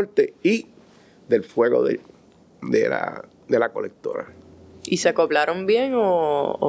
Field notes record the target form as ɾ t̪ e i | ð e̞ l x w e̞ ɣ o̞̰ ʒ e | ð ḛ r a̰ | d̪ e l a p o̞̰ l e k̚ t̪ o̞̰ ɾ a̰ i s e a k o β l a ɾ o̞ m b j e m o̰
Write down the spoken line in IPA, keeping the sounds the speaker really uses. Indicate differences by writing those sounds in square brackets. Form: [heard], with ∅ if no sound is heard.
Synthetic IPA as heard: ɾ t̪ e i | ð e̞ l [f] w e̞ ɣ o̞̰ [ð] e | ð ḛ [l] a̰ | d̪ e l a [k] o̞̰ l e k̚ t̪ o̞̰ ɾ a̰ i s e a k o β l a ɾ o̞ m b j e [ŋ] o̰